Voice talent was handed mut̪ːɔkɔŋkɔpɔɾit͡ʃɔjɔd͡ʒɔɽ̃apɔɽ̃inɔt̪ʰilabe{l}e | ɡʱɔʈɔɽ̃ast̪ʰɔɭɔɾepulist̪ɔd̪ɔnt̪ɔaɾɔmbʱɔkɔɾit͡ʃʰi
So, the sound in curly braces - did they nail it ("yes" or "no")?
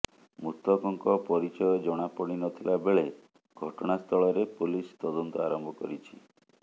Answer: no